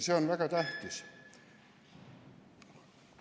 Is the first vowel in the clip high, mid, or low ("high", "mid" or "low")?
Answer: mid